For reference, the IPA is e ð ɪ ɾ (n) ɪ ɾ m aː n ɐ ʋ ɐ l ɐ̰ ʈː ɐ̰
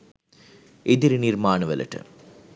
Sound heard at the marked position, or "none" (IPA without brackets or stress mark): n